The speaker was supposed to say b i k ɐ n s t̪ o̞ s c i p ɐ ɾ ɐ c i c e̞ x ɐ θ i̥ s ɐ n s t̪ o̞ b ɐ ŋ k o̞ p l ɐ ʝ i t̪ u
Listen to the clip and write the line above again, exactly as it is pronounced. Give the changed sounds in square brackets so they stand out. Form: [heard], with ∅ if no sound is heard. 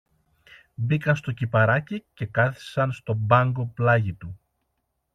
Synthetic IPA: b i k ɐ n s t̪ o̞ [∅] c i p ɐ ɾ ɐ c i c e̞ [k] ɐ θ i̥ s ɐ n s t̪ o̞ b ɐ ŋ [ɡ] o̞ p l ɐ ʝ i t̪ u